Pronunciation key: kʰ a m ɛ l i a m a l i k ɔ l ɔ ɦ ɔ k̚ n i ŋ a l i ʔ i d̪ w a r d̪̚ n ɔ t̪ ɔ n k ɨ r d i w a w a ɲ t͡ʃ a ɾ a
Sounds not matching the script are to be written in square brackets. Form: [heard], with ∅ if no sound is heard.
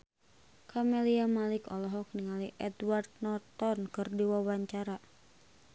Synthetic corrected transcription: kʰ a m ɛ l i a m a l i k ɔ l ɔ ɦ ɔ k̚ n i ŋ a l i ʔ [ɛ] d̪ w a r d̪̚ n ɔ t̪ ɔ n k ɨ r d i w a w a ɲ t͡ʃ a ɾ a

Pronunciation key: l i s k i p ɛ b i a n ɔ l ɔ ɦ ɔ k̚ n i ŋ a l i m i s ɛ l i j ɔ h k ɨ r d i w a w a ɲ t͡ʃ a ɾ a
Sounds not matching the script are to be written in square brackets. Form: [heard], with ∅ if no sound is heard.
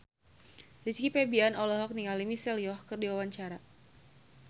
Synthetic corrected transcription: l i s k i p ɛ b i a n ɔ l ɔ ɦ ɔ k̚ n i ŋ a l i m i s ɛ l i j ɔ h k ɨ r d i w a w a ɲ t͡ʃ a ɾ a

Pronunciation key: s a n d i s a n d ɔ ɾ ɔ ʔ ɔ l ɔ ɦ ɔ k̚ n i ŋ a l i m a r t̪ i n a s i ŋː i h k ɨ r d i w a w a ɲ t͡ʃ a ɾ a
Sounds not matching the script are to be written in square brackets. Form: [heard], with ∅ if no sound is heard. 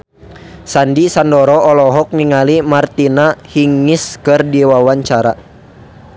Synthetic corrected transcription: s a n d i s a n d ɔ ɾ ɔ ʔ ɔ l ɔ ɦ ɔ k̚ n i ŋ a l i m a r t̪ i n a [h] i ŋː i [s] k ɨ r d i w a w a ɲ t͡ʃ a ɾ a

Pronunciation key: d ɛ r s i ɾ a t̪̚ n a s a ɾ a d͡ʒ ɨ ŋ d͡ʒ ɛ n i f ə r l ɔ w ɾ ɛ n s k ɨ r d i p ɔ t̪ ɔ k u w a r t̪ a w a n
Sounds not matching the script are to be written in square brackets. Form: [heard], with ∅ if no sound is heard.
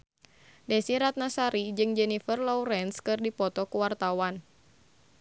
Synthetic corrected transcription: d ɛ [∅] s i ɾ a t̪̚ n a s a ɾ [i] d͡ʒ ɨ ŋ d͡ʒ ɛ n i f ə r l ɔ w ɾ ɛ n s k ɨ r d i p ɔ t̪ ɔ k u w a r t̪ a w a n

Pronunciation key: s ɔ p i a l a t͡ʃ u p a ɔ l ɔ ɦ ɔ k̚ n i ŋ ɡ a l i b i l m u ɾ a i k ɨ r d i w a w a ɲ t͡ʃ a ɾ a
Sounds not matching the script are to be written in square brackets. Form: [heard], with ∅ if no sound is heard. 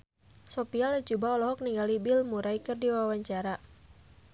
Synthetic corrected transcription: s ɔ p i a l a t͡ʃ u [b] a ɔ l ɔ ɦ ɔ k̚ n i ŋ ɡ a l i b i l m u ɾ a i k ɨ r d i w a w a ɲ t͡ʃ a ɾ a

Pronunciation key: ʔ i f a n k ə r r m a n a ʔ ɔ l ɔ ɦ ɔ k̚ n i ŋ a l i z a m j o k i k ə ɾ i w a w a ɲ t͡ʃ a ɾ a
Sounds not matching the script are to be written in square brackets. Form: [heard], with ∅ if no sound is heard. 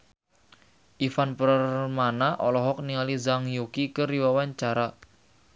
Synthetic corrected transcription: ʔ i f a n [p] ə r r m a n a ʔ ɔ l ɔ ɦ ɔ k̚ n i ŋ a l i z a [ŋ] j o k i k ə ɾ i w a w a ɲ t͡ʃ a ɾ a

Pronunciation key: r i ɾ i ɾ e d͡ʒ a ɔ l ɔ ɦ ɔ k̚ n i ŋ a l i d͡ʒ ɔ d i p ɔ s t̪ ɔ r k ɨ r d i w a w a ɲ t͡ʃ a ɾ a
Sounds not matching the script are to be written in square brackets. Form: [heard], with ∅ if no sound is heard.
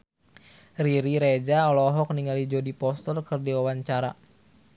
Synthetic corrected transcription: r i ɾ i ɾ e d͡ʒ a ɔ l ɔ ɦ ɔ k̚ n i ŋ a l i d͡ʒ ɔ d i p ɔ s t̪ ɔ r k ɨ r d i w a w a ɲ t͡ʃ a ɾ a

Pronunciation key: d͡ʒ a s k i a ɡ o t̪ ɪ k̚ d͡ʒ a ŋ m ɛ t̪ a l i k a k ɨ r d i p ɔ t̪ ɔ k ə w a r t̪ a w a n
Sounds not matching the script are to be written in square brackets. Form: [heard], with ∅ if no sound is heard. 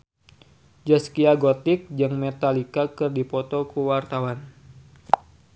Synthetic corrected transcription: d͡ʒ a s k i a ɡ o t̪ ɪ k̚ d͡ʒ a ŋ m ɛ t̪ a l i k a k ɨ r d i p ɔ t̪ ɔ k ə w a r t̪ a w a n

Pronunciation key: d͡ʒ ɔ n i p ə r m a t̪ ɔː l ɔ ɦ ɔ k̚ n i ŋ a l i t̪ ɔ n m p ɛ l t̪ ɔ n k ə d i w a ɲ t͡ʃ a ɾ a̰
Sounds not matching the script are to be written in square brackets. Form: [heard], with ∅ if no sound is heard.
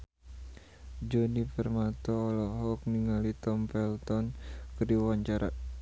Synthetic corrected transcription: d͡ʒ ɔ n i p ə r m a t̪ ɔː l ɔ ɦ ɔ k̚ n i ŋ a l i t̪ ɔ [∅] m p ɛ l t̪ ɔ n k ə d i w a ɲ t͡ʃ a ɾ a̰

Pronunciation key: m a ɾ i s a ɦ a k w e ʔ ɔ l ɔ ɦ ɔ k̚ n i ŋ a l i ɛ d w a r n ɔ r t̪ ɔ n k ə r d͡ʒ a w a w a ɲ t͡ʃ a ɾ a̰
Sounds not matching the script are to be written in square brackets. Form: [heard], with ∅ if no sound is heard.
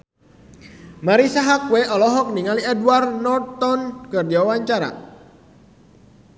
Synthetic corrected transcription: m a ɾ i s a ɦ a k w e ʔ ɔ l ɔ ɦ ɔ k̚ n i ŋ a l i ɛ d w a r n ɔ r t̪ ɔ n k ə r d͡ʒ a w a w a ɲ t͡ʃ a ɾ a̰

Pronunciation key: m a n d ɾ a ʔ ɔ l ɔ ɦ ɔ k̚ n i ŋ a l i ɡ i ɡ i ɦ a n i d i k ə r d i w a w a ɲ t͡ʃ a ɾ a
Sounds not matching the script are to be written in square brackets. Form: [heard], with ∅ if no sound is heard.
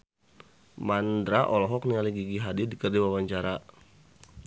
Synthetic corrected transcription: m a n d ɾ a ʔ ɔ l ɔ ɦ ɔ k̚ n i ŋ a l i ɡ i ɡ i ɦ a [d] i d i k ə r d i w a w a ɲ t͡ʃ a ɾ a

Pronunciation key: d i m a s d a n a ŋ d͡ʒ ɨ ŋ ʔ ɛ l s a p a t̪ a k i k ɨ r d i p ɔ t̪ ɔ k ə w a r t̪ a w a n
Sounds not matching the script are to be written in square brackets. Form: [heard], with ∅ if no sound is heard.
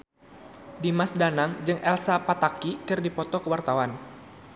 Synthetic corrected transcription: d i m a s d a n a ŋ d͡ʒ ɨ ŋ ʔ ɛ l s a p a t̪ a k i k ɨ r d i p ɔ t̪ ɔ k ə w a r t̪ a w a n

